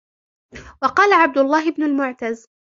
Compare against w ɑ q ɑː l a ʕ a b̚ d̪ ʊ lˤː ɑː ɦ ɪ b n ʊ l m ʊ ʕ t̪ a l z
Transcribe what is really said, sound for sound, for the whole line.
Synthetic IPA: w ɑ q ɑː l a ʕ a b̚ d̪ ʊ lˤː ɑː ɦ ɪ b n ʊ l m ʊ ʕ t̪ a z